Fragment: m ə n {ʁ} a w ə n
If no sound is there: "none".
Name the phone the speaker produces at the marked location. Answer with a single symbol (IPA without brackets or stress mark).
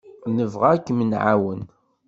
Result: ʕ